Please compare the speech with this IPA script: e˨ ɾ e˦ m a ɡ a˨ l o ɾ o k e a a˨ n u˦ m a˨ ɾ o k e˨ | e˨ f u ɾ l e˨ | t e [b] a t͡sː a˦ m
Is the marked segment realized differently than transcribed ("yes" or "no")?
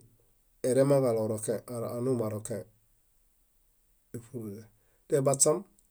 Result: no